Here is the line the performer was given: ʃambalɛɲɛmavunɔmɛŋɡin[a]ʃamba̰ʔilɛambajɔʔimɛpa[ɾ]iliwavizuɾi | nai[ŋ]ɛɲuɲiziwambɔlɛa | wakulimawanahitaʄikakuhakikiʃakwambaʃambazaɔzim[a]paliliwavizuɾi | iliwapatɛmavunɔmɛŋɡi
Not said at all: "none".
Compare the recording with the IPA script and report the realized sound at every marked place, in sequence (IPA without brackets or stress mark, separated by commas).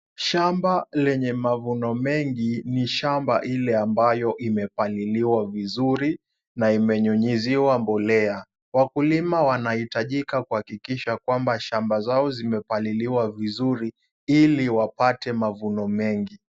i, l, m, ɛ